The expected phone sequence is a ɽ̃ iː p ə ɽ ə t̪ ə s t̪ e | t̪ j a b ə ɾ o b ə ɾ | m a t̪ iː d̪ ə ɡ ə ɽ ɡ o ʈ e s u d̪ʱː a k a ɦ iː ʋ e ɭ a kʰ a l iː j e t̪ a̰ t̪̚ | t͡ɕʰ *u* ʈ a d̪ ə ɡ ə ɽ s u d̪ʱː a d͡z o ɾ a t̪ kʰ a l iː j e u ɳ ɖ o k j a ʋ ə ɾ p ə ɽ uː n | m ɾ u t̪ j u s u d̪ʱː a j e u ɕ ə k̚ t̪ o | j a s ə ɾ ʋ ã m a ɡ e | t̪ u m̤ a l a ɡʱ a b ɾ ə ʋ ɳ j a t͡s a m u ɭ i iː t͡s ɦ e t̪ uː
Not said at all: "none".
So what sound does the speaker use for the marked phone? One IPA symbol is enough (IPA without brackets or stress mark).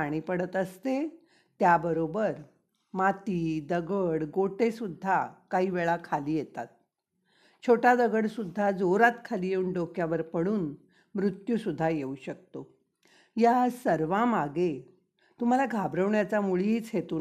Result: o